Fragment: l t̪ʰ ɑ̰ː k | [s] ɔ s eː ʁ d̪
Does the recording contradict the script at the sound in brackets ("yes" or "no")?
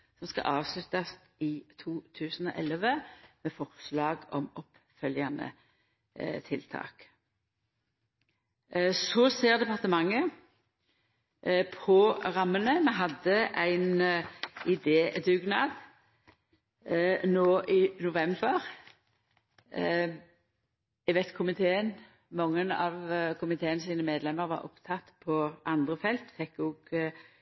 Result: no